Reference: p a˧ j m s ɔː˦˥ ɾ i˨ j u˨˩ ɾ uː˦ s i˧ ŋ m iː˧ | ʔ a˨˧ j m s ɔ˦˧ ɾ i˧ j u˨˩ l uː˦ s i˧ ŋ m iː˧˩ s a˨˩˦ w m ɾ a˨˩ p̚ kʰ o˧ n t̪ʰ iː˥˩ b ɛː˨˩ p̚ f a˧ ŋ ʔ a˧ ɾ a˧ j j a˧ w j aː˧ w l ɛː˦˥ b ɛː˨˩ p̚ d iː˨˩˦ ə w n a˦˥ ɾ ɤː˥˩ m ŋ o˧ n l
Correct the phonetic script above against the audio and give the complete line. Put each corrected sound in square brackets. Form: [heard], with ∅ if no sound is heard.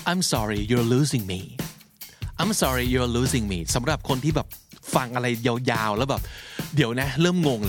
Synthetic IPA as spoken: [ʔ] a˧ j m s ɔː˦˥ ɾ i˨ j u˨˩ [l] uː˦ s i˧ ŋ m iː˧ | ʔ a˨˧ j m s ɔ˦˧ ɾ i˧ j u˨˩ l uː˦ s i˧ ŋ m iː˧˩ s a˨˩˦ [∅] m ɾ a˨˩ p̚ kʰ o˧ n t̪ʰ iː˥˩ b ɛː˨˩ p̚ f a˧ ŋ ʔ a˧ ɾ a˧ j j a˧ w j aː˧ w l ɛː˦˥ b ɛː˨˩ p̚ d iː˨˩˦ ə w n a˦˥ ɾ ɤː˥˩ m ŋ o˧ [ŋ] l